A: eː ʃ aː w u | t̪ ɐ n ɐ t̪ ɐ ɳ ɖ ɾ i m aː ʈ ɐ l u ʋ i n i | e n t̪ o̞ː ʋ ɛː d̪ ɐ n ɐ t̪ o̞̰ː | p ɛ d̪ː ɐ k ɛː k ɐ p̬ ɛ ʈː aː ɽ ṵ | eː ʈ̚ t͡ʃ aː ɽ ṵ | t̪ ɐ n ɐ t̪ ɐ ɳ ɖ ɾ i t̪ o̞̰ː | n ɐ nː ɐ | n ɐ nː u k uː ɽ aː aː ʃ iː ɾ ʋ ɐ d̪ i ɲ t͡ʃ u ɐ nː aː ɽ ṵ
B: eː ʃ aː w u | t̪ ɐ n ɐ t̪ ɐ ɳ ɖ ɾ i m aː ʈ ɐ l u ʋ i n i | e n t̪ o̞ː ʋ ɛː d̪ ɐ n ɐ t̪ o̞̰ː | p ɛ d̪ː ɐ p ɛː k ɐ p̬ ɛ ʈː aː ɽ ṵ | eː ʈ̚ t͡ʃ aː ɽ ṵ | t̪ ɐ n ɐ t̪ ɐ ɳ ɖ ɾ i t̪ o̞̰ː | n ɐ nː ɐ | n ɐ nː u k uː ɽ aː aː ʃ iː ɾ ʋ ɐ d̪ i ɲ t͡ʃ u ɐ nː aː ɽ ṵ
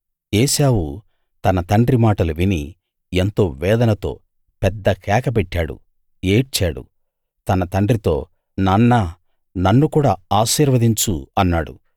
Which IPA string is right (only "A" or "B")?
A